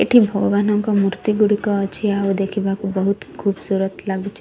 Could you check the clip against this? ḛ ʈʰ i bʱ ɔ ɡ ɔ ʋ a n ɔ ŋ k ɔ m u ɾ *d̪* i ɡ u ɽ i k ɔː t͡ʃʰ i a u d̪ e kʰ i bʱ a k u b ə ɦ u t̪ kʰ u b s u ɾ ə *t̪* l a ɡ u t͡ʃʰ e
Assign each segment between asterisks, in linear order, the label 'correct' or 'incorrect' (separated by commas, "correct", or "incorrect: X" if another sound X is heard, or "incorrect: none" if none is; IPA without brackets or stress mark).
incorrect: t̪, correct